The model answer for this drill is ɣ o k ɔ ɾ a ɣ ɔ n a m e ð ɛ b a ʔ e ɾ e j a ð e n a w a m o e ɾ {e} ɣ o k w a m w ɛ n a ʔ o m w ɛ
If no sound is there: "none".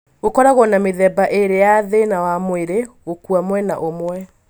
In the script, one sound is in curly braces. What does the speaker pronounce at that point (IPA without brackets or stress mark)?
e